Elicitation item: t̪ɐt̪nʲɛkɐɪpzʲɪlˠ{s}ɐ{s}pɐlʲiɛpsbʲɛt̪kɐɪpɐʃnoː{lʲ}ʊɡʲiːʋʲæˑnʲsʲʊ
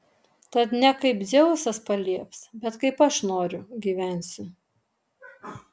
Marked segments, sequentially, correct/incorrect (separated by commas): correct, correct, incorrect